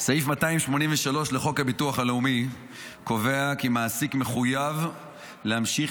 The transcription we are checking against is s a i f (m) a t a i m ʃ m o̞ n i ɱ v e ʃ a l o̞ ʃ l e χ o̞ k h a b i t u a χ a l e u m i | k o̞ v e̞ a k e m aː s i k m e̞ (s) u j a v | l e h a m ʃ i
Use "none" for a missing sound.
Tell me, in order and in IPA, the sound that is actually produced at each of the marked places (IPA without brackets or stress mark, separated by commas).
m, χ